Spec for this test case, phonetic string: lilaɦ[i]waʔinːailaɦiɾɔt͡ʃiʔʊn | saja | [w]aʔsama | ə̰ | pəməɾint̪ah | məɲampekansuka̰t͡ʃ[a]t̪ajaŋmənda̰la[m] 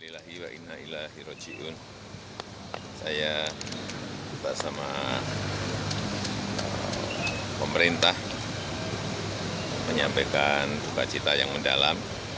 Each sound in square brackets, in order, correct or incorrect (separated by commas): correct, incorrect, incorrect, correct